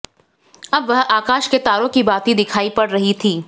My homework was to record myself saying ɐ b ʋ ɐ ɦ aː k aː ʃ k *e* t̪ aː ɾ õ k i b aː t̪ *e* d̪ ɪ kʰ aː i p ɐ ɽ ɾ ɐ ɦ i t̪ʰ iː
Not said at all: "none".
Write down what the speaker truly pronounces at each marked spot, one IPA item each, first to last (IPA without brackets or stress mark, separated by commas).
e, i